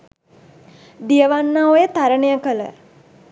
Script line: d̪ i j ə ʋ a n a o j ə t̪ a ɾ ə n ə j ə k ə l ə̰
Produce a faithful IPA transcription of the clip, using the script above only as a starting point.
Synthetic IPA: d̪ i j ə ʋ a nː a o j ə t̪ a ɾ ə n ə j ə k ə l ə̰